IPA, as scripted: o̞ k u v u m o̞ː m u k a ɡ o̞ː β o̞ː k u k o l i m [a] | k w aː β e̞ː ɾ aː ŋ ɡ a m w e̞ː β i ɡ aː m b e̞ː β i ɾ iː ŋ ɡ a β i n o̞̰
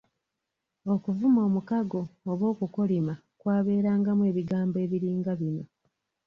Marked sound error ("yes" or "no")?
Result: no